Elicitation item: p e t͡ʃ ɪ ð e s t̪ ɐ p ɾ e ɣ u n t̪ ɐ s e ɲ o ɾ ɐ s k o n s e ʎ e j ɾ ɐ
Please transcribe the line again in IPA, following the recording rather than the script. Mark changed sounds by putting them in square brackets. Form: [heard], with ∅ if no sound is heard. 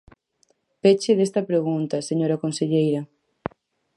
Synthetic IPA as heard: p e t͡ʃ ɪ ð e s t̪ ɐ p ɾ e ɣ u n t̪ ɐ s e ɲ o ɾ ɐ [∅] k o n s e ʎ e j ɾ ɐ